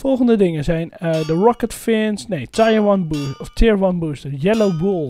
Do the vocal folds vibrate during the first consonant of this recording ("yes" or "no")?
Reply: no